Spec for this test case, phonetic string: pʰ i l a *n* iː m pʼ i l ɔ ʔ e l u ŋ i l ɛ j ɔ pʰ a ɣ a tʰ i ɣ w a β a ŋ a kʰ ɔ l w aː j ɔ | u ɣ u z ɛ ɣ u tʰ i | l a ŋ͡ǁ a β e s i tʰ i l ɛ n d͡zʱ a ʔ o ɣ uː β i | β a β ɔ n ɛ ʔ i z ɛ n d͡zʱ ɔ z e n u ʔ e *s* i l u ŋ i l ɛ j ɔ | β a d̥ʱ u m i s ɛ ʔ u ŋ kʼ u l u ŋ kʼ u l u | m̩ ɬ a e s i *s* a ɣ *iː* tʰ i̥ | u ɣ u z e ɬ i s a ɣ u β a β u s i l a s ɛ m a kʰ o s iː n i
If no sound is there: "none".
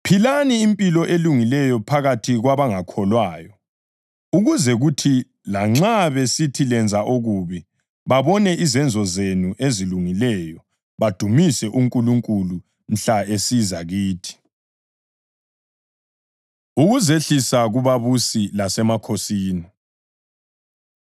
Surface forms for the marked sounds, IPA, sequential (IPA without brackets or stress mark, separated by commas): n, z, z, iː